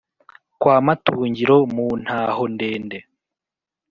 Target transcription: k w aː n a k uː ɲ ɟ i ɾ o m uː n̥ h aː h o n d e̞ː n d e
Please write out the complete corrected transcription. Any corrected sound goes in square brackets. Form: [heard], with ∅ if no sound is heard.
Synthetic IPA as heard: k w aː [m] a [t] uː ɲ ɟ i ɾ o m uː n̥ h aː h o n d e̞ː n d e

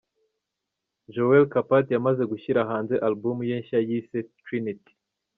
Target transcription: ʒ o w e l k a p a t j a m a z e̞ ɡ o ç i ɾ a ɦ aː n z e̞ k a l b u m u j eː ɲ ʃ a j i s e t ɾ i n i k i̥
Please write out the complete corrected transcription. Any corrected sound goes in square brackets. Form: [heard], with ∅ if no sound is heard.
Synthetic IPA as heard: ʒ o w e l k a p a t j a m a z e̞ ɡ [u] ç i ɾ a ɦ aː n z e̞ [ʔ] a l b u m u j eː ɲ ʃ a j i s e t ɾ i n i [t] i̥

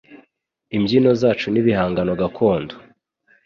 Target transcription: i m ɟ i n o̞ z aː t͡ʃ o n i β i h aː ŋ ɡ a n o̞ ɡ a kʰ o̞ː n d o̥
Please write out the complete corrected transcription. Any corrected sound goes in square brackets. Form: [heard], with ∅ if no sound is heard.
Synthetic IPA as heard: i m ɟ i n o̞ z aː t͡ʃ [u] n i β i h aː ŋ ɡ a n o̞ ɡ a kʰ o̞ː n d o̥

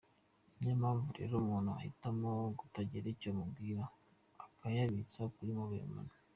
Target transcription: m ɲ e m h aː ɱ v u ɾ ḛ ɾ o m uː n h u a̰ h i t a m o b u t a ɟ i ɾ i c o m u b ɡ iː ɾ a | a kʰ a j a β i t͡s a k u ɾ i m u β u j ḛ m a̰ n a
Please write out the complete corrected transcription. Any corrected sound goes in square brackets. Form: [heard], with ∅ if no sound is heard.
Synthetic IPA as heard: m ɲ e m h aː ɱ v u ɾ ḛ ɾ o m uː n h u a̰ h i t a m o [ɡ] u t a ɟ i ɾ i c o m u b ɡ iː ɾ a | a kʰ a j a β i t͡s a k u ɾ i m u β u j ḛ m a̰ n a

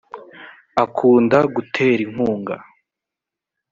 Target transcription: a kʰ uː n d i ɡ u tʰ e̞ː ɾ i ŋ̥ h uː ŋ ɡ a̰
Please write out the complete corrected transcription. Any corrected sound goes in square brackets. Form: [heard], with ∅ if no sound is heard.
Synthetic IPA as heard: a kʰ uː n d [a] ɡ u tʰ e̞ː ɾ i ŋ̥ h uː ŋ ɡ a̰

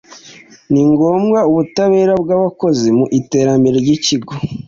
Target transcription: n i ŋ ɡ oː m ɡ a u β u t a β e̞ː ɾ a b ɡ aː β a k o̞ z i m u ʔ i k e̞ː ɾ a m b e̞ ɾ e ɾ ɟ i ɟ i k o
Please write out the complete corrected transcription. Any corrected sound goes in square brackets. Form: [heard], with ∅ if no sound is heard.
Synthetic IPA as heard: n i ŋ ɡ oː m ɡ a u β u t a β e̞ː ɾ a b ɡ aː β a k o̞ z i m u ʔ i [t] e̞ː ɾ a m b e̞ ɾ e ɾ ɟ i [c] i [ɡ] o

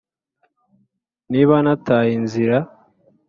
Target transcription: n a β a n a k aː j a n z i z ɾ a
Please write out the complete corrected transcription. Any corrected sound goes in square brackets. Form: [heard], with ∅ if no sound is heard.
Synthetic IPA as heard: n [i] β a n a [t] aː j [i] n z i [∅] ɾ a

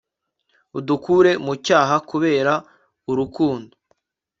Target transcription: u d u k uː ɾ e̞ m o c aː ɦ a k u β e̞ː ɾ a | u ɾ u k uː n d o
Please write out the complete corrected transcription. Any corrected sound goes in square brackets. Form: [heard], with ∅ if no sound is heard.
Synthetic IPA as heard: u d u k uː ɾ e̞ m [u] c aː ɦ a k u β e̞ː ɾ a | u ɾ u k uː n d o

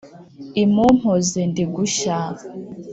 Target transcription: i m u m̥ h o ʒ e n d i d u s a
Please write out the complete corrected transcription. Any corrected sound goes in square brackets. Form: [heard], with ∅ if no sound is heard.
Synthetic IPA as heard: i m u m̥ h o [z] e n d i [ɡ] u [ʃ] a

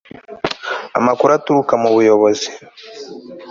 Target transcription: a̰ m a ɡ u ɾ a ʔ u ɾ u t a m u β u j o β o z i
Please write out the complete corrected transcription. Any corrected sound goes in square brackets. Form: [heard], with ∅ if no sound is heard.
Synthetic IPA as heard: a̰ m a [k] u ɾ a [t] u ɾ u [k] a m u β u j o β o z i

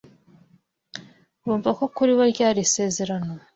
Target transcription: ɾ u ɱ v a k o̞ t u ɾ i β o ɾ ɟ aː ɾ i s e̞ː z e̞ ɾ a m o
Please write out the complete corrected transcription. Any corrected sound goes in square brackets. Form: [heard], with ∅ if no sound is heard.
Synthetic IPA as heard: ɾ [uː] ɱ v a k o̞ [k] u ɾ i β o ɾ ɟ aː ɾ i s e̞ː z e̞ ɾ a [n] o

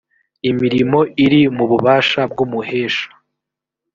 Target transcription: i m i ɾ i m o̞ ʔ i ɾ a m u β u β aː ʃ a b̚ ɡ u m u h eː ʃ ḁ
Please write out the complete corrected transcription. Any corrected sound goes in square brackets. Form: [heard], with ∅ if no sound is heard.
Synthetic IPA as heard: i m i ɾ i m o̞ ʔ i ɾ [i] m u β u β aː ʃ a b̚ ɡ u m u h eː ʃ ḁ

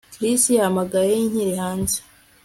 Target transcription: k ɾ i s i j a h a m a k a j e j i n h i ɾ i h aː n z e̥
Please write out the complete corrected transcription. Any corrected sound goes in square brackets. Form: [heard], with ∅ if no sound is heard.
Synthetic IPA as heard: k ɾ i s i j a h a m a [ɡ] a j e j i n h i ɾ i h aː n z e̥

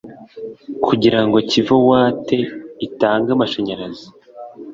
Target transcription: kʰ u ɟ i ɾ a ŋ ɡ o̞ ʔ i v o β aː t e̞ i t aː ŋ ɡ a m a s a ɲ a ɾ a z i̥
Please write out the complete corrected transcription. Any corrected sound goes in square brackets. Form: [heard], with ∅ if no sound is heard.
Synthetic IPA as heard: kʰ u ɟ i ɾ a ŋ ɡ o̞ [c] i v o [w] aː t e̞ i t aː ŋ ɡ a m a [ʃ] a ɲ a ɾ a z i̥

